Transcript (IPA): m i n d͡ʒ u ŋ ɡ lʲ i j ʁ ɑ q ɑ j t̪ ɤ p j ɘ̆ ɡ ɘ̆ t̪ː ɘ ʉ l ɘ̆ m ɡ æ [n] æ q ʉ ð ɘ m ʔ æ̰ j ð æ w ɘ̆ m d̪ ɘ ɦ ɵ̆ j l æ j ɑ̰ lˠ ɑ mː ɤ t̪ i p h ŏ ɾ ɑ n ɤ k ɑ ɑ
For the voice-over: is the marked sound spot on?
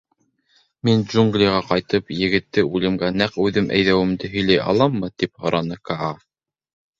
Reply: yes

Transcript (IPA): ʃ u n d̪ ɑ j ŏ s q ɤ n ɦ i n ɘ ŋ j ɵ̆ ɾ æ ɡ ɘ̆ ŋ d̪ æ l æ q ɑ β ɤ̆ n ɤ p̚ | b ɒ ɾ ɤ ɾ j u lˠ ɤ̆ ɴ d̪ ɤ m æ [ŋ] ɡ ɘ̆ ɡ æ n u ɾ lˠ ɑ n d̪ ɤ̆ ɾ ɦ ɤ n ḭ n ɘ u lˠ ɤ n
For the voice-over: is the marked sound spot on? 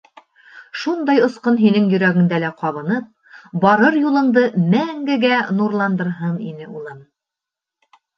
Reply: yes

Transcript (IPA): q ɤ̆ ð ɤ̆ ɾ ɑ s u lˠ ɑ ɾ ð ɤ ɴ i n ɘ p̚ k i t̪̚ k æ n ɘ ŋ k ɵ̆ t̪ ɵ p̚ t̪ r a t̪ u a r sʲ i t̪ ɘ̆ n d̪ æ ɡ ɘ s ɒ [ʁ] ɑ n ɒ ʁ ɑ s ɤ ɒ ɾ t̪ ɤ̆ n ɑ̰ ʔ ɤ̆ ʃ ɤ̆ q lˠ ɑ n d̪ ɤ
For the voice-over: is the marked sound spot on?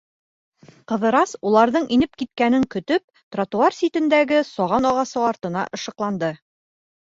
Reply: yes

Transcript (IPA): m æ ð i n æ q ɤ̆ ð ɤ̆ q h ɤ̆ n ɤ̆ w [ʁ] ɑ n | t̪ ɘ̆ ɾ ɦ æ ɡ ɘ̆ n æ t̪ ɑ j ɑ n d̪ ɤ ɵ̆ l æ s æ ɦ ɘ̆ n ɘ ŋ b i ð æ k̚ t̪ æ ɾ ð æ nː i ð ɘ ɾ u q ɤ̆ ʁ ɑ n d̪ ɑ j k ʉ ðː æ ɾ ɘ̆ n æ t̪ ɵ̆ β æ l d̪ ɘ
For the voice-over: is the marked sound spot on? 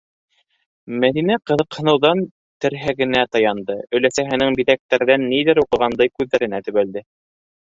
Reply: no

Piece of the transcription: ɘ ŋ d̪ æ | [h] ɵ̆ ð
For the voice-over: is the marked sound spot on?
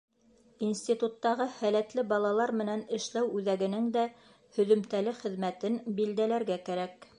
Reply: yes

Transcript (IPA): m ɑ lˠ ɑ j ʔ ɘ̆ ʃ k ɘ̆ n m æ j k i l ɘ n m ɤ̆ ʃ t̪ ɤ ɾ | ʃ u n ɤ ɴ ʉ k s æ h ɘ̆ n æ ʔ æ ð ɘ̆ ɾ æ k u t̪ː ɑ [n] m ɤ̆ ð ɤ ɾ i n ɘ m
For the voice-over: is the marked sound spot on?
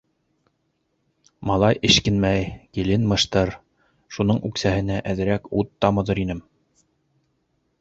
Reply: no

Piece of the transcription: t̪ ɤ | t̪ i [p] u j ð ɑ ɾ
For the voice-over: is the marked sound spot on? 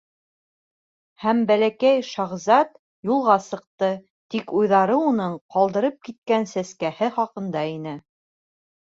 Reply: no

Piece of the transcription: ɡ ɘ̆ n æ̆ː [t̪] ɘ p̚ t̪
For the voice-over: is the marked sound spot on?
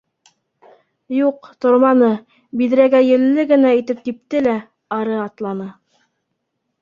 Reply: yes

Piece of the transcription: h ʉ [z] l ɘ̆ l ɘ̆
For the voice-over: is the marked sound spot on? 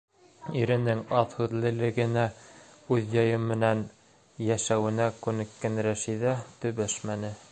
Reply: no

